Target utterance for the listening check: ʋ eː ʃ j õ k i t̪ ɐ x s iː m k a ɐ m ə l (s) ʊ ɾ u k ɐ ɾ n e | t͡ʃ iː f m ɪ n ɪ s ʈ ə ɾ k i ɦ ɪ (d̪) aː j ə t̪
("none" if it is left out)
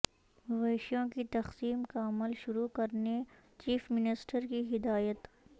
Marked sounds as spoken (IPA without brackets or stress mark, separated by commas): ʃ, d̪